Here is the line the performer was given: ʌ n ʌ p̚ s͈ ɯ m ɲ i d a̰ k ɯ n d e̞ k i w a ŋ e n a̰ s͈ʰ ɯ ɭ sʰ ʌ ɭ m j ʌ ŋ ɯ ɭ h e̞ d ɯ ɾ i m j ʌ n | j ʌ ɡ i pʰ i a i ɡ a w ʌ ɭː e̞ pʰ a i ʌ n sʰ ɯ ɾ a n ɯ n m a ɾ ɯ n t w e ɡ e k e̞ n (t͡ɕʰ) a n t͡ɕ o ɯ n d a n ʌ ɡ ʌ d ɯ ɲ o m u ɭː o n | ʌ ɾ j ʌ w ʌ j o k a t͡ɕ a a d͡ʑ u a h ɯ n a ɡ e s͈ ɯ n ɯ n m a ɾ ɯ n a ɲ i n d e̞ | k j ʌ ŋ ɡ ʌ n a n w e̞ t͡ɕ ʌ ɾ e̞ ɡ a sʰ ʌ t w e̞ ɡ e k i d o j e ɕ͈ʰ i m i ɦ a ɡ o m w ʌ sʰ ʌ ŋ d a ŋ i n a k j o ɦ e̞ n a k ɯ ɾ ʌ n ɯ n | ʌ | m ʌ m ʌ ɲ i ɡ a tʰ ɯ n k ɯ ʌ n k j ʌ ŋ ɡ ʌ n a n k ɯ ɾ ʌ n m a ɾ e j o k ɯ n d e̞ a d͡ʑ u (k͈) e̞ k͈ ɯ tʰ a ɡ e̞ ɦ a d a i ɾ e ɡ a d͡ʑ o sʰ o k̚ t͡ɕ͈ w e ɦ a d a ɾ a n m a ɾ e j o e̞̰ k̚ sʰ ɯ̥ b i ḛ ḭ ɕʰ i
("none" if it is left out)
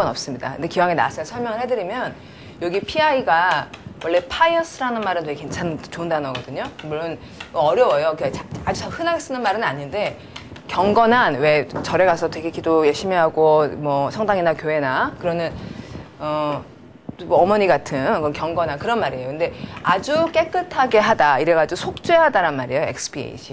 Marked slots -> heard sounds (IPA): t͡ɕʰ, k͈

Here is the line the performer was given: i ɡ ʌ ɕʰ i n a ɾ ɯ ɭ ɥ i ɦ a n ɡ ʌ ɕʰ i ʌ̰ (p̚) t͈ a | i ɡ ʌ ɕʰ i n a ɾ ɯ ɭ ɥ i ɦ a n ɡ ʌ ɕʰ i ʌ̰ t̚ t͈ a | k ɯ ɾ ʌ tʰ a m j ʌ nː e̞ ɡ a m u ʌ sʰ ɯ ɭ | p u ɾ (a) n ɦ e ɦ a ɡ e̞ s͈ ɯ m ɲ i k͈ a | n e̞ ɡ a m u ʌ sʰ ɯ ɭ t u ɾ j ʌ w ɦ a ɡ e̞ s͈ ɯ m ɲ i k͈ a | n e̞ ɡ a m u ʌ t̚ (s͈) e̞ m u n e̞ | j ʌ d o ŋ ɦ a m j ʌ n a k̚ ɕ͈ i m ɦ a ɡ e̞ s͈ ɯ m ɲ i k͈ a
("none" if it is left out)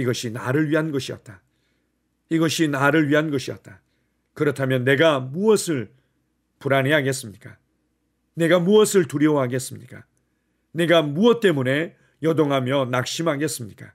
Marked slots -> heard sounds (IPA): t̚, a, t͈

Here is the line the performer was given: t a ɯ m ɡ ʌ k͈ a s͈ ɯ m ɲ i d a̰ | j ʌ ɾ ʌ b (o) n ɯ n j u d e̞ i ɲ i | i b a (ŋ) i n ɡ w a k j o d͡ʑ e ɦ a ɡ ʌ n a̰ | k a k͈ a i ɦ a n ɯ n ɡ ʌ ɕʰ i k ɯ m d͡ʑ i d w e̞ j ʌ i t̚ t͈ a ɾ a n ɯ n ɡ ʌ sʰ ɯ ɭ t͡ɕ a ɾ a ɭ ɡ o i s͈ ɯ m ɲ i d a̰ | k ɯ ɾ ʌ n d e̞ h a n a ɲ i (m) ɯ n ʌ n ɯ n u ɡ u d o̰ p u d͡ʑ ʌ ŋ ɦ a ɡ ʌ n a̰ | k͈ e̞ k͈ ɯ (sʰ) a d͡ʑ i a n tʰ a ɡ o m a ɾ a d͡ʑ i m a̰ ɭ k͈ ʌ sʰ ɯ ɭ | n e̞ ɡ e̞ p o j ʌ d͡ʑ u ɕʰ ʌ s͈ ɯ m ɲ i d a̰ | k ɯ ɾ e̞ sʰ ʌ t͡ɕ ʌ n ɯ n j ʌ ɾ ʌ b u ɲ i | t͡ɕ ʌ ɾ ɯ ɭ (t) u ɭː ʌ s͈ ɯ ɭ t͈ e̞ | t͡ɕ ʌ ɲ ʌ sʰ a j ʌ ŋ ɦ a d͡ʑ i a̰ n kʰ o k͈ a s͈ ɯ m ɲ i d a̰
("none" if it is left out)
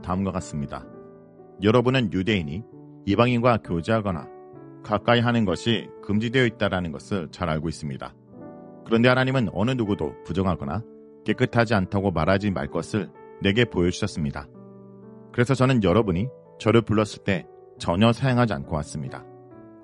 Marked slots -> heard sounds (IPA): u, ŋ, m, tʰ, p

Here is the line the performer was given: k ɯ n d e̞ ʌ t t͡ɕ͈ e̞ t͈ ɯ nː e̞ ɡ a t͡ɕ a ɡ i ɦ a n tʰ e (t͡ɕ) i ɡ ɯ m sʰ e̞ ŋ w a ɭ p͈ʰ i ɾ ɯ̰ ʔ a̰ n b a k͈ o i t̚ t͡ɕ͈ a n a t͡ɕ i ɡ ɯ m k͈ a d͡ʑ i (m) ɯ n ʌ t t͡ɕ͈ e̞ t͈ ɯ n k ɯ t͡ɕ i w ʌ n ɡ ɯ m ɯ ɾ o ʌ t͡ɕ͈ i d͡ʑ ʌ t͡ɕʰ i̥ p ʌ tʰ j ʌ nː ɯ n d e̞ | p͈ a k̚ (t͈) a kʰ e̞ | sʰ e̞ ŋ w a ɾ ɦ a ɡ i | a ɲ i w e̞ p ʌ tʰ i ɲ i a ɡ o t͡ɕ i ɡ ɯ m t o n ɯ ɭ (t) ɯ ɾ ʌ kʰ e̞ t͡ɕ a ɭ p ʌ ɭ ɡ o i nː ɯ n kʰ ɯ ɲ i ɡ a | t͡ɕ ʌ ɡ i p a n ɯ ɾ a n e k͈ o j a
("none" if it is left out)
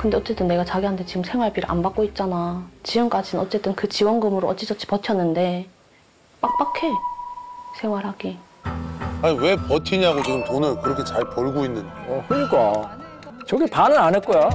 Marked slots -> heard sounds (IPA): t͡ɕ, n, p͈, k

